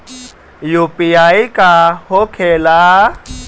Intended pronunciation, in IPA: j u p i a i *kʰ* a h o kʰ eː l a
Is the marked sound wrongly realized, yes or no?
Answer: yes